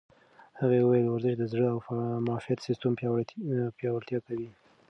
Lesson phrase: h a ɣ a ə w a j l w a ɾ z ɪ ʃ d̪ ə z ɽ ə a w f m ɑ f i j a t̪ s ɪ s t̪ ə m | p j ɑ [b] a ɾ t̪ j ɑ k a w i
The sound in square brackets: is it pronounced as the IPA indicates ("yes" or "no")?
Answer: no